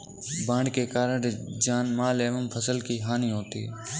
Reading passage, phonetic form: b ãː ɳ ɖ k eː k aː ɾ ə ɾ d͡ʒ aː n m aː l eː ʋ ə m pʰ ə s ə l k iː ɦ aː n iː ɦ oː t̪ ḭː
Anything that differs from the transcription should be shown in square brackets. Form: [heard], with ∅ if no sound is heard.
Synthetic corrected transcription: b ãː ɳ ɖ k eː k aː ɾ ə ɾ d͡ʒ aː n m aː l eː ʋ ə m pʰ ə s ə l k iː ɦ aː n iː ɦ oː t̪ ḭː